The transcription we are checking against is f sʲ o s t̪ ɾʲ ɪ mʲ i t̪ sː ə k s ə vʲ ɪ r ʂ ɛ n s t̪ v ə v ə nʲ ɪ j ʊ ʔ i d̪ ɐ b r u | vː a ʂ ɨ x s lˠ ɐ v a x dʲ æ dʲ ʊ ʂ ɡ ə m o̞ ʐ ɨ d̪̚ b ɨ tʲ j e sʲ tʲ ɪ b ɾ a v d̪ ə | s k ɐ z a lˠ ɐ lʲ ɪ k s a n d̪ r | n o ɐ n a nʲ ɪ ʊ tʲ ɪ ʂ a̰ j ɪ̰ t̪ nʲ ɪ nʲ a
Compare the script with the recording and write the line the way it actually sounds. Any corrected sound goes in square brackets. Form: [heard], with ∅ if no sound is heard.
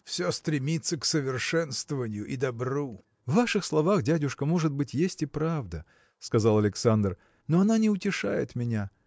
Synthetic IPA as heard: f sʲ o s t̪ ɾʲ ɪ mʲ i t̪ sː ə k s ə vʲ ɪ r ʂ ɛ n s t̪ v ə v ə nʲ ɪ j ʊ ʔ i d̪ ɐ b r u | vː a ʂ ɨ x s lˠ ɐ v a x dʲ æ dʲ ʊ ʂ [k] ə m o̞ ʐ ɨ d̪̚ b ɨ tʲ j e sʲ tʲ ɪ [p] ɾ a v d̪ ə | s k ɐ z a lˠ ɐ lʲ ɪ k s a n d̪ r | n o ɐ n a nʲ ɪ ʊ tʲ ɪ ʂ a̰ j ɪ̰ t̪ [mʲ] ɪ nʲ a